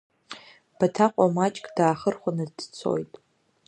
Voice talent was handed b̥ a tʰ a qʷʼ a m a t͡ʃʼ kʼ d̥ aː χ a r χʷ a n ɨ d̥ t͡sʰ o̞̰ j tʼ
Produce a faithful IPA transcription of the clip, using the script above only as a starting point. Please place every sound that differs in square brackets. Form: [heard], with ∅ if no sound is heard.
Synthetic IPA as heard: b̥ a tʰ a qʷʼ a m a t͡ʃʼ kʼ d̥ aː χ [ə] r χʷ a n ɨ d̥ t͡sʰ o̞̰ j tʼ